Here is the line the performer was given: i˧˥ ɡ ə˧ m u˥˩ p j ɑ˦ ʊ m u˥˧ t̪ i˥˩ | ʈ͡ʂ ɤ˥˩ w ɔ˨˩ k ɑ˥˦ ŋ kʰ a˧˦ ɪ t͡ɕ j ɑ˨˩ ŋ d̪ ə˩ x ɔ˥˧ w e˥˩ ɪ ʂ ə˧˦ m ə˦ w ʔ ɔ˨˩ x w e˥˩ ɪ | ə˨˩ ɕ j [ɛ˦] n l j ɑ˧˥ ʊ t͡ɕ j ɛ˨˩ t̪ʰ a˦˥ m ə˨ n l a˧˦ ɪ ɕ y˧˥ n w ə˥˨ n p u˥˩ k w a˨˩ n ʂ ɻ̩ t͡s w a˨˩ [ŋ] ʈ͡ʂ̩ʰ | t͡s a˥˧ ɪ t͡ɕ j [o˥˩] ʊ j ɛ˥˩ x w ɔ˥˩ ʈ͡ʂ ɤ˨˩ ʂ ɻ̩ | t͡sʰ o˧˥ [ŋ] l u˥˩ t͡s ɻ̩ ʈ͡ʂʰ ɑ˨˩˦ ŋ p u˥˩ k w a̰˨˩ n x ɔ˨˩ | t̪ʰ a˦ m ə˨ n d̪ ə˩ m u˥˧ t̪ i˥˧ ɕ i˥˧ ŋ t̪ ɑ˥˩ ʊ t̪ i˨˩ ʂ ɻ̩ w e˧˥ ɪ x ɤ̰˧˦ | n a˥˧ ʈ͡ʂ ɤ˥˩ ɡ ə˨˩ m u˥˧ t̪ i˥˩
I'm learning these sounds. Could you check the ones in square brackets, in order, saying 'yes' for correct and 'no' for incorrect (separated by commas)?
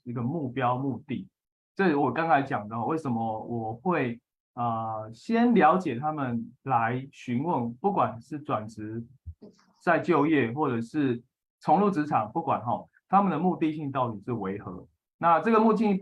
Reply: yes, no, no, yes